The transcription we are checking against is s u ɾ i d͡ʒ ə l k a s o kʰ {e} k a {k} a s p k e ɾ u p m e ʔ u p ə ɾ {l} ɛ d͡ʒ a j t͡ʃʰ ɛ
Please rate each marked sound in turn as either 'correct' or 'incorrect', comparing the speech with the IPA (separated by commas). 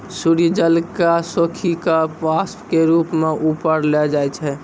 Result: incorrect, incorrect, correct